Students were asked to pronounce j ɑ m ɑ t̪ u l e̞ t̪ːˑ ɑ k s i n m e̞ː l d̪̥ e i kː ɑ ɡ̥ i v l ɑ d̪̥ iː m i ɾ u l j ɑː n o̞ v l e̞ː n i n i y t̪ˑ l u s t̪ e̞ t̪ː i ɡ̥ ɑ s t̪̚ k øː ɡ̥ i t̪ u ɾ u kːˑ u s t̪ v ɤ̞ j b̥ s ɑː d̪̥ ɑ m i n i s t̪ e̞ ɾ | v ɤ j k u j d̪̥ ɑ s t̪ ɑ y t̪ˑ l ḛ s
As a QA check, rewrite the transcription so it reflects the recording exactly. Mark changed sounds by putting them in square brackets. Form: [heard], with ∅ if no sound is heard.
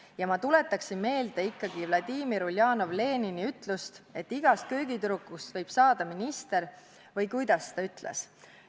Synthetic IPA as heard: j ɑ m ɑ t̪ u l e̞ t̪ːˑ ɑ k s i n m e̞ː l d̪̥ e i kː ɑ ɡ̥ i v l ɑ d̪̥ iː m i ɾ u l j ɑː n o̞ v l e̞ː n i n i y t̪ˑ l u s t̪ e̞ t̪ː i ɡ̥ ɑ s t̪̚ k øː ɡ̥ i t̪ u ɾ u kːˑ u s t̪ v ɤ̞ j b̥ s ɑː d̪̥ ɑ m i n i s t̪ e̞ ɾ | v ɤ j k u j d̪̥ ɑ s t̪ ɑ y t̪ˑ l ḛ s